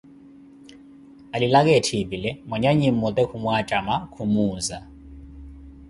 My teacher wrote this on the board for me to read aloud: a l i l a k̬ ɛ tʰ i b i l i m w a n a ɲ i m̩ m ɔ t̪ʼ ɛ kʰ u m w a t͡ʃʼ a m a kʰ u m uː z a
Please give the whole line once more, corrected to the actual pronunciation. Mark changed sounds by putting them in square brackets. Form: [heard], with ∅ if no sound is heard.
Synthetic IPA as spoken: a l i l a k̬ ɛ tʰ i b i l [ɛ] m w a [ɲ] a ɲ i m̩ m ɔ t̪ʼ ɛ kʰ u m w a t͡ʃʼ a m a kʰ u m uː z a